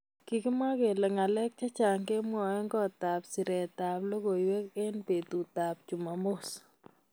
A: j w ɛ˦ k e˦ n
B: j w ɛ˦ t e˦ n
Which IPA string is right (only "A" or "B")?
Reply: A